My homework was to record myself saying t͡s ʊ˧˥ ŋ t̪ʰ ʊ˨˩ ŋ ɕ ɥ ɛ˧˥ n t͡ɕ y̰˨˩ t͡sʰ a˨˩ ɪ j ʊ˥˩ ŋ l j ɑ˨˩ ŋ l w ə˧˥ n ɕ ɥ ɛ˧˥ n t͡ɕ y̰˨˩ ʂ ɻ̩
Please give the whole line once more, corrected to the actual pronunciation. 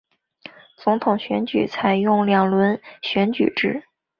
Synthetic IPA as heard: t͡s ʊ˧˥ ŋ t̪ʰ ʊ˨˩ ŋ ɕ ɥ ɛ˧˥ n t͡ɕ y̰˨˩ t͡sʰ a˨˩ ɪ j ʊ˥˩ ŋ l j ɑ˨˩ ŋ l w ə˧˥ n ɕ ɥ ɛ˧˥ n t͡ɕ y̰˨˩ ʈ͡ʂ ɻ̩